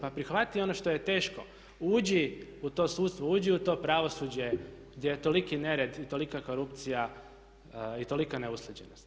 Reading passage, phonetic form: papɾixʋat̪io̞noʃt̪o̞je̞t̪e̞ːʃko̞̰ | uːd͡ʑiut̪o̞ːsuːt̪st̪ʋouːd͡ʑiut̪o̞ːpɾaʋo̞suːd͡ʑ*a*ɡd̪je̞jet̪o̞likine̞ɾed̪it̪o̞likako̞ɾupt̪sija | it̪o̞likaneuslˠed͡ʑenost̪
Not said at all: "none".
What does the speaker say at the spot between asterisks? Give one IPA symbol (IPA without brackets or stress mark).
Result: e